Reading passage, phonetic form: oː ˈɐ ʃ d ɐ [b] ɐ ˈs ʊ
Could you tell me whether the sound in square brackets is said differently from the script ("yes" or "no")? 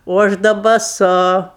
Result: no